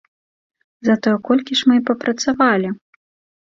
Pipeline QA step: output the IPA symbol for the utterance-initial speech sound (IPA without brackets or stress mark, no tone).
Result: z